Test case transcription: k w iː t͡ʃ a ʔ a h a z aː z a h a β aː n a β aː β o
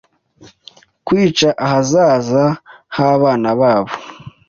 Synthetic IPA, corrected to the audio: k w iː t͡ʃ a ʔ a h a z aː z a h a β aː n a β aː β o